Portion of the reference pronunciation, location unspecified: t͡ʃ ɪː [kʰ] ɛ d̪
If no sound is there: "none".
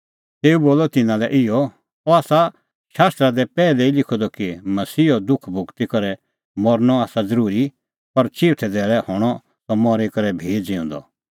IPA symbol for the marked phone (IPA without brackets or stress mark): ʈʰ